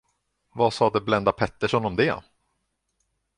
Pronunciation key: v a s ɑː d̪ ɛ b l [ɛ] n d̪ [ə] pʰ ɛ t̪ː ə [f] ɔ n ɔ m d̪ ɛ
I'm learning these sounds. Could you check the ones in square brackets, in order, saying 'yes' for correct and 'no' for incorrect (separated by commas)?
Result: yes, no, no